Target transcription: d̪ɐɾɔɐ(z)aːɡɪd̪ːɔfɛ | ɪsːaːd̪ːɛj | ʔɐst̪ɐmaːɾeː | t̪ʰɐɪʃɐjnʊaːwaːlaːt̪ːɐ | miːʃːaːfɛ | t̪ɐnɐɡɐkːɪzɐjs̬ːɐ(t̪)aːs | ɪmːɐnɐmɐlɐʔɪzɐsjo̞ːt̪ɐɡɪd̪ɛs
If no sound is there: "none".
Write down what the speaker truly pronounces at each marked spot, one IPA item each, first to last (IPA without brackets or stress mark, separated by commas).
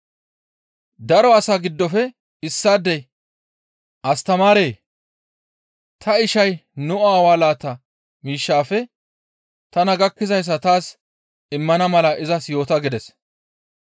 s, t̪